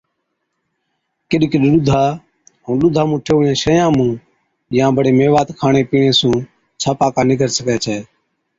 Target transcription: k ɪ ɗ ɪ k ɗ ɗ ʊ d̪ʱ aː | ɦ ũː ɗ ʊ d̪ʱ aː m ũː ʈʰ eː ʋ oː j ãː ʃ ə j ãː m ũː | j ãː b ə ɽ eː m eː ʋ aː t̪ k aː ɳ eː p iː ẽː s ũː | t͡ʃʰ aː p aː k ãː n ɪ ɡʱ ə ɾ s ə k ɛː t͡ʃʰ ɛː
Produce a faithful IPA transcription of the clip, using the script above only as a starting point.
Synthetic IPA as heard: k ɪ ɗ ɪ k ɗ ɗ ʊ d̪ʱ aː | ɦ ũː ɗ ʊ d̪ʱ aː m ũː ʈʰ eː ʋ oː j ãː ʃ ə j ãː m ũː | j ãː b ə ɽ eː m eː ʋ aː t̪ kʰ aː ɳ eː p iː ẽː s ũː | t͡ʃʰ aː p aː k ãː n ɪ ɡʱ ə ɾ s ə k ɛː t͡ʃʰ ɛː